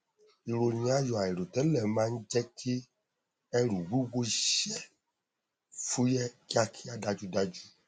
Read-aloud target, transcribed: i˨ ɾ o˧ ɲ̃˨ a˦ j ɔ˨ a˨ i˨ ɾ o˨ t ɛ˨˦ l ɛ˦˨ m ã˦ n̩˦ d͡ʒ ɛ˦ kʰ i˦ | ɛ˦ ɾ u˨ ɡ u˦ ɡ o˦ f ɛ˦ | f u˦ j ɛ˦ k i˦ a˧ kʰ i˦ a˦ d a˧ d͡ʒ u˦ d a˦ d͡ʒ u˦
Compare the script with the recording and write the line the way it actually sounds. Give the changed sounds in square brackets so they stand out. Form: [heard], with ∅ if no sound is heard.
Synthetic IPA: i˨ ɾ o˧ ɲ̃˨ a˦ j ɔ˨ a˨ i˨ ɾ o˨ t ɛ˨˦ l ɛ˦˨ m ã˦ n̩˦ d͡ʒ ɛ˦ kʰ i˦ | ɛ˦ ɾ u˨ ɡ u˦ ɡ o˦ [ʃ] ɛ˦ | f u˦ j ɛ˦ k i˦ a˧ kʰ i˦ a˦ d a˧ d͡ʒ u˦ d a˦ d͡ʒ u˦